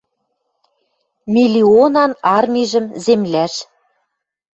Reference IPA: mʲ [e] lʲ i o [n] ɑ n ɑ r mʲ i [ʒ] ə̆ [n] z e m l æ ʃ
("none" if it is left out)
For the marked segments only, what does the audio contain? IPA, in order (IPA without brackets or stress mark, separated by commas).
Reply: i, n, ʒ, m